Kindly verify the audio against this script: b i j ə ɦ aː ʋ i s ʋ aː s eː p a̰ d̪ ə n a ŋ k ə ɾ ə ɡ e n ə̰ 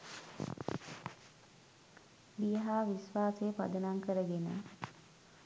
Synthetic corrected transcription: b i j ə ɦ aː ʋ i s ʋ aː s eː p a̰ d̪ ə n a ŋ k ə ɾ ə ɡ e n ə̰